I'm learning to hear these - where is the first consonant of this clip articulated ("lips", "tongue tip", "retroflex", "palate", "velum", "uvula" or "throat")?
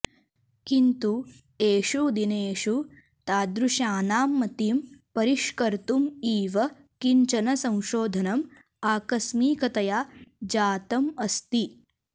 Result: velum